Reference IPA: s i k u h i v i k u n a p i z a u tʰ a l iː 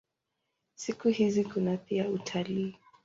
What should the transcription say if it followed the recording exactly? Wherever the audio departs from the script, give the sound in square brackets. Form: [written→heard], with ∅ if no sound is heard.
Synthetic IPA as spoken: s i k u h i [v→z] i k u n a p i [z→∅] a u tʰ a l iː